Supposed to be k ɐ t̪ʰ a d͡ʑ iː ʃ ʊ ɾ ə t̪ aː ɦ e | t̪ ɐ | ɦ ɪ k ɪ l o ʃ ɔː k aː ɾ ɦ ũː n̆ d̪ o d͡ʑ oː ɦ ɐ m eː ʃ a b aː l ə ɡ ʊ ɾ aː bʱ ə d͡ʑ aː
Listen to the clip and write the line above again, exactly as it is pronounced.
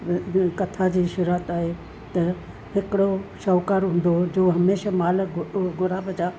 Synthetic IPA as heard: k ɐ t̪ʰ a d͡ʑ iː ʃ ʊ ɾ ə t̪ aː ɦ e | t̪ ɐ | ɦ ɪ k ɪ ɽ o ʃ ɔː k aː ɾ ɦ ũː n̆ d̪ o d͡ʑ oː ɦ ɐ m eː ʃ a m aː l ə ɡ ʊ ɾ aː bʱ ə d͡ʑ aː